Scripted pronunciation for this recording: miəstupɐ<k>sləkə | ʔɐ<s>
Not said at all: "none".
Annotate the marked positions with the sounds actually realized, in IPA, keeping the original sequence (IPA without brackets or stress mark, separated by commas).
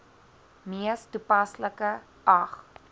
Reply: none, χ